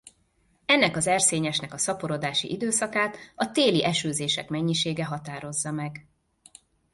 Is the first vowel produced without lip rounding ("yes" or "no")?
yes